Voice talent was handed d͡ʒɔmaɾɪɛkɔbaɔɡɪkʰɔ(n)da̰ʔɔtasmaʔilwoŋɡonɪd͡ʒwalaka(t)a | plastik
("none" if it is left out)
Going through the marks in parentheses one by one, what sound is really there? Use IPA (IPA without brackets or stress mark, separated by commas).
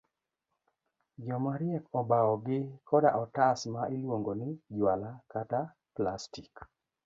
none, t